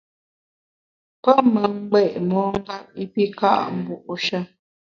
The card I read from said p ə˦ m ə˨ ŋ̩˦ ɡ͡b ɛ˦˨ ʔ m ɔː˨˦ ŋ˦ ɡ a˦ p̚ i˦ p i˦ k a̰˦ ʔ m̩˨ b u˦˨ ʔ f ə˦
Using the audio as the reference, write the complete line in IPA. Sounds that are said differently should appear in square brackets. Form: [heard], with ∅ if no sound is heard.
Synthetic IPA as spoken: p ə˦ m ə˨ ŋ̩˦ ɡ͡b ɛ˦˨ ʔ m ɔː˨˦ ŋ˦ ɡ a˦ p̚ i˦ p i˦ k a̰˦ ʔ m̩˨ b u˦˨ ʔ [ʃ] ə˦